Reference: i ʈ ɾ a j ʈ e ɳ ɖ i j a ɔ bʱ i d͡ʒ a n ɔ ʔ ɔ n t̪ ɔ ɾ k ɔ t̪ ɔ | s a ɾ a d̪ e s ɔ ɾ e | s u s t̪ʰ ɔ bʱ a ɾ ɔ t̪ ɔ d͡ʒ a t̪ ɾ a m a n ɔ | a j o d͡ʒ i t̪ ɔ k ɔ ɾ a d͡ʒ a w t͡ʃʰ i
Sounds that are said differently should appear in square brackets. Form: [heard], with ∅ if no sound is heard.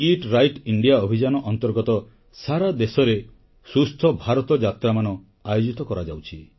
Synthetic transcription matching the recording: i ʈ ɾ a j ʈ [i] ɳ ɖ i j a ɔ bʱ i d͡ʒ a n ɔ ʔ ɔ n t̪ ɔ ɾ [ɡ] ɔ t̪ ɔ | s a ɾ a d̪ e s ɔ ɾ e | s u s t̪ʰ ɔ bʱ a ɾ ɔ t̪ ɔ d͡ʒ a t̪ ɾ a m a n ɔ | a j o d͡ʒ i t̪ ɔ k ɔ ɾ a d͡ʒ a w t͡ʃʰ i